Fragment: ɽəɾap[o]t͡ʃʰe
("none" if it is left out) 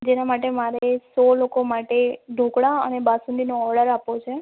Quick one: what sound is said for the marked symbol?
o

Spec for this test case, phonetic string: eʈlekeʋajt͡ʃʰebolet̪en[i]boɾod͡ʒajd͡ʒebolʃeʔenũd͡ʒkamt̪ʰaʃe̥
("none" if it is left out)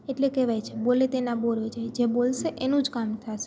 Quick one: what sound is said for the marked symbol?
a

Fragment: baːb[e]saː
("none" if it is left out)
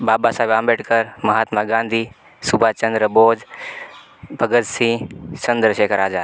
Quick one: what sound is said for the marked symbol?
a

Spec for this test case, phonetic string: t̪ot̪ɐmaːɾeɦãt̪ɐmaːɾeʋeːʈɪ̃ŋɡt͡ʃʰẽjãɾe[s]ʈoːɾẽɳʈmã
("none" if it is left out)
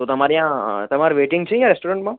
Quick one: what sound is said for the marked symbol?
s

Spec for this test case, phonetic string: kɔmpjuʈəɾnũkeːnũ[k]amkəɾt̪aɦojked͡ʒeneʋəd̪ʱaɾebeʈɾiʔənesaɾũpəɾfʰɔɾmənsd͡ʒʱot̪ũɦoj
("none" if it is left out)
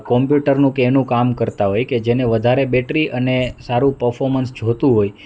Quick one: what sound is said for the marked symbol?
k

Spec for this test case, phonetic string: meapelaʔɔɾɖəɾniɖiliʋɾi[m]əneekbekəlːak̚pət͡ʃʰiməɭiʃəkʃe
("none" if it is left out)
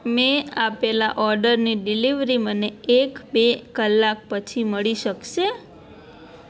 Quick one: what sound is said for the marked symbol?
m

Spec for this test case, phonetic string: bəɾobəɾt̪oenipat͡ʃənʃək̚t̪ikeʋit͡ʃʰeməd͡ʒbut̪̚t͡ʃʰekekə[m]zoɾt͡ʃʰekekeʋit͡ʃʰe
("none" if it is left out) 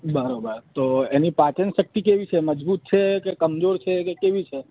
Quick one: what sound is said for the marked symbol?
m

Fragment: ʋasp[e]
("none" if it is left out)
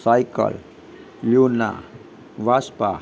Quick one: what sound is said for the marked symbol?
a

